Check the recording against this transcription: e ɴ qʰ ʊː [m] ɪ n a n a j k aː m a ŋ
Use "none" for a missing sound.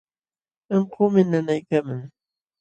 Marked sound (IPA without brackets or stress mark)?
m